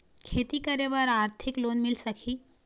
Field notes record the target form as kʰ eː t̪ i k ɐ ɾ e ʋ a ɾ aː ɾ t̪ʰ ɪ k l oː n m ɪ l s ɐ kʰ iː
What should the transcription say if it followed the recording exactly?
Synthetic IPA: kʰ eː t̪ i k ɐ ɾ e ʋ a ɾ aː ɾ t̪ʰ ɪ k l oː n m ɪ l s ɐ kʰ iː